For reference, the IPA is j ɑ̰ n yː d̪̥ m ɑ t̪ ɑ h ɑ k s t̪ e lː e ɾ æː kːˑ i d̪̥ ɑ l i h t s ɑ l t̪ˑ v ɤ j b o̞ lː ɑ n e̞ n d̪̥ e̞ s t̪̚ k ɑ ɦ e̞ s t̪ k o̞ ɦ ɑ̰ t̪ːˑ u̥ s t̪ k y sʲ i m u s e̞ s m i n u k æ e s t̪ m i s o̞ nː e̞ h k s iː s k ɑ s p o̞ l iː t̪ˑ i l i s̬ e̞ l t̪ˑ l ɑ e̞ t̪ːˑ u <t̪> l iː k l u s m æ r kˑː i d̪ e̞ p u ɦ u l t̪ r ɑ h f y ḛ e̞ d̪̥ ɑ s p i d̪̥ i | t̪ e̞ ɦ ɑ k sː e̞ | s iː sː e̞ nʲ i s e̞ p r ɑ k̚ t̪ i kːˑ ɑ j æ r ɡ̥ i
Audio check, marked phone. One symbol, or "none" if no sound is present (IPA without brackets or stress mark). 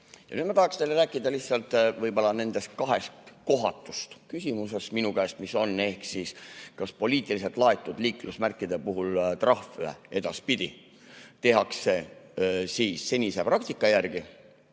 d̪